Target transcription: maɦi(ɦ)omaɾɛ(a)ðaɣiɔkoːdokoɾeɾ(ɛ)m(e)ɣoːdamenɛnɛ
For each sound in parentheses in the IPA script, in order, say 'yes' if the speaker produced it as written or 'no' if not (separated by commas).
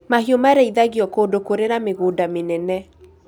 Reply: no, no, no, yes